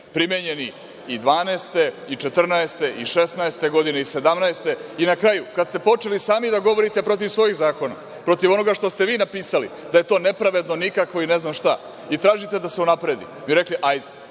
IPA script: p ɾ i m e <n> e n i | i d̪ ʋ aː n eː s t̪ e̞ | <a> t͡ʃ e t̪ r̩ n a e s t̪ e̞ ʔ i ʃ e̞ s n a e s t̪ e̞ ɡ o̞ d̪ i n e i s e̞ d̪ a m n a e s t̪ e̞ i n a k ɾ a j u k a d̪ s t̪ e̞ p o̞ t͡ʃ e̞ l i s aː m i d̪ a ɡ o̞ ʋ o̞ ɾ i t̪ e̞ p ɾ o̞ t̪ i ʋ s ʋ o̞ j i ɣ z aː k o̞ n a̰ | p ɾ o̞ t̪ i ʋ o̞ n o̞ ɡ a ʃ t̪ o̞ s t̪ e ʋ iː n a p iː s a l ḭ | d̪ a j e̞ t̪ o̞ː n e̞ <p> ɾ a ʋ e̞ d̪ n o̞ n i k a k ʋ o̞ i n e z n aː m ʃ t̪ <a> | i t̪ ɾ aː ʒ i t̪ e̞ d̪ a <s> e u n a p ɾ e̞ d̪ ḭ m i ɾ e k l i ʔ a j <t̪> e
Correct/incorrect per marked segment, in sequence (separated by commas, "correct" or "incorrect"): incorrect, incorrect, correct, correct, correct, incorrect